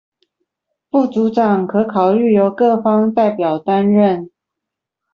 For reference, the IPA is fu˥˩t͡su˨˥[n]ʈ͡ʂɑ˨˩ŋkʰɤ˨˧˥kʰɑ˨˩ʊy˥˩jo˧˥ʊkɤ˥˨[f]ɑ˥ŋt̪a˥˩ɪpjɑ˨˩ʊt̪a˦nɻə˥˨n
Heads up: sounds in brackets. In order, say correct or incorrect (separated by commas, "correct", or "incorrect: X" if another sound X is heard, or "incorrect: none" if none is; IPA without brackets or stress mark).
incorrect: none, correct